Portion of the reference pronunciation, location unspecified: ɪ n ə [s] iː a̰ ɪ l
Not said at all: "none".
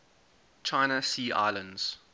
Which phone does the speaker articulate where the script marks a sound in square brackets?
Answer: s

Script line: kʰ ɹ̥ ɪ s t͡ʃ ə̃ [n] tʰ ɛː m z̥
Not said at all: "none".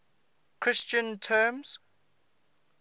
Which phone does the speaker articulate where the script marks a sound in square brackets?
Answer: n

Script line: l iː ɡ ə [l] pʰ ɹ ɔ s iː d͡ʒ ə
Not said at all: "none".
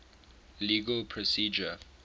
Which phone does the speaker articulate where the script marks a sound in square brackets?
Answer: l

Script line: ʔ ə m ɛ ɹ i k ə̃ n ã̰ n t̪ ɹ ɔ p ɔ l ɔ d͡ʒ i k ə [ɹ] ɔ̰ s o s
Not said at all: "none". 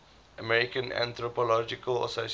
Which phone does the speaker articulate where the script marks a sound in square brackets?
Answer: l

